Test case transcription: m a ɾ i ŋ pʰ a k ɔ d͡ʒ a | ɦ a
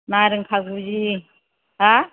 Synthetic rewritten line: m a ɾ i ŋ kʰ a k u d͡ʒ i | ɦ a